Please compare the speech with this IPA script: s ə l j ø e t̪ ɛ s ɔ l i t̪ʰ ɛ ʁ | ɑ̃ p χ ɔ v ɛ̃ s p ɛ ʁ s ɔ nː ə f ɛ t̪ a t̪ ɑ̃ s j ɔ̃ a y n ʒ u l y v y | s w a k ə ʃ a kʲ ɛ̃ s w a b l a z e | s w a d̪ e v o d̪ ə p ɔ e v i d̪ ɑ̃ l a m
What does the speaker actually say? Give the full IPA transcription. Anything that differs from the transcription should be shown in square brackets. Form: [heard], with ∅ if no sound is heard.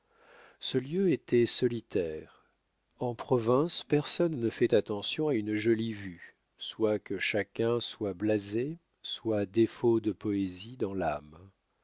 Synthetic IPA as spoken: s ə l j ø e t̪ ɛ s ɔ l i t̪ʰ ɛ ʁ | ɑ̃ p χ ɔ v ɛ̃ s p ɛ ʁ s ɔ nː ə f ɛ t̪ a t̪ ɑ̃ s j ɔ̃ a y n ʒ [ɔ] l [i] v y | s w a k ə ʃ a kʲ ɛ̃ s w a b l a z e | s w a d̪ e [f] o d̪ ə p ɔ e [z] i d̪ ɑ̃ l a m

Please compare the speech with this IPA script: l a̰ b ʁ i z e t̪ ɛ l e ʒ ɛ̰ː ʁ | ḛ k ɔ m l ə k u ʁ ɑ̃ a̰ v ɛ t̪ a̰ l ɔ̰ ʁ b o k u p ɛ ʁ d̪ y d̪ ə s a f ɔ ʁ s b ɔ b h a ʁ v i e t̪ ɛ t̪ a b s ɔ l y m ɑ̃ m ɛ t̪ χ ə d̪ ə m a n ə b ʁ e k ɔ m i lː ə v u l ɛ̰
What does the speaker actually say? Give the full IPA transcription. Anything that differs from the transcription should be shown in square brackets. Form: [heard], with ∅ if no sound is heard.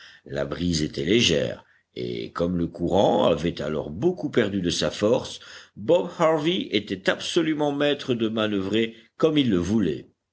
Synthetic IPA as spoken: l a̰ b ʁ i z e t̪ ɛ l e ʒ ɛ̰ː ʁ | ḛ k ɔ m l ə k u ʁ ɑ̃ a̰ v ɛ t̪ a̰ l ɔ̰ ʁ b o k u p ɛ ʁ d̪ y d̪ ə s a f ɔ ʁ s b ɔ b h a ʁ v i e t̪ ɛ t̪ a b s ɔ l y m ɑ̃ m ɛ t̪ χ ə d̪ ə m a n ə [v] ʁ e k ɔ m i lː ə v u l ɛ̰

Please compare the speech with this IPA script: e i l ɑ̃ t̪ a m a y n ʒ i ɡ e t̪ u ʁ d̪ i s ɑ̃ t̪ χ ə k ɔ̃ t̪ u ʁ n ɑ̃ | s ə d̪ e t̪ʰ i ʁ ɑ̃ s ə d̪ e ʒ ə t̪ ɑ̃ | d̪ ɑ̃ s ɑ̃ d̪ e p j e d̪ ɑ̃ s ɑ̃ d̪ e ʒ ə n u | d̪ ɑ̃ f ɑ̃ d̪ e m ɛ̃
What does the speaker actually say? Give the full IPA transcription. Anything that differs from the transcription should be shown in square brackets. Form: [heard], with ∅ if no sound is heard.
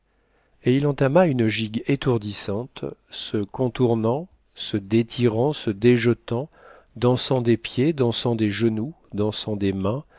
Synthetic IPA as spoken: e i l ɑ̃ t̪ a m a y n ʒ i ɡ e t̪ u ʁ d̪ i s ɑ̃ t̪ [s] ə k ɔ̃ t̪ u ʁ n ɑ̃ | s ə d̪ e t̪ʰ i ʁ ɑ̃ s ə d̪ e ʒ ə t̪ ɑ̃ | d̪ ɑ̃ s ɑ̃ d̪ e p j e d̪ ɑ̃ s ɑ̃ d̪ e ʒ ə n u | d̪ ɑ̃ [s] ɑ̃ d̪ e m ɛ̃

